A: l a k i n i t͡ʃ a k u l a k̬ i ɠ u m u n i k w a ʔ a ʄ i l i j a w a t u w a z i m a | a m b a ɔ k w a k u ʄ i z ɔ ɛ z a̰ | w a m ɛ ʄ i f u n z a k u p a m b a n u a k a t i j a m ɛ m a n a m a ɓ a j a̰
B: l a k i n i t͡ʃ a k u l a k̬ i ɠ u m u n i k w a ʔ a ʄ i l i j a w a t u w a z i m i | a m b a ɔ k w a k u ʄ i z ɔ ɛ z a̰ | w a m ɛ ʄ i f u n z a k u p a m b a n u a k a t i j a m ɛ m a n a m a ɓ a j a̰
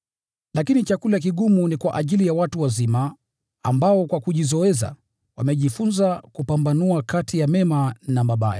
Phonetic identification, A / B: A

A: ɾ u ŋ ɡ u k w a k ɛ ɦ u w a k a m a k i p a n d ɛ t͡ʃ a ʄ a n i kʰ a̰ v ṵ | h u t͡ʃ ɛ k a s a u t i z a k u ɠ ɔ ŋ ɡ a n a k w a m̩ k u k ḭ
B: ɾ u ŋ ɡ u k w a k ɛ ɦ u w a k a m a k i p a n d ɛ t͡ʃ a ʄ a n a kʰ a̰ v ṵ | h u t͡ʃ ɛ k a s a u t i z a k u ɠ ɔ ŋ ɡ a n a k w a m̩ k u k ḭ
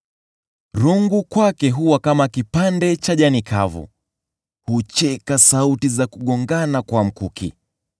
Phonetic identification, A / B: A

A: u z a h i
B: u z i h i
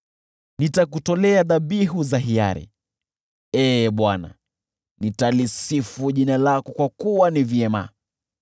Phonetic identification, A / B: A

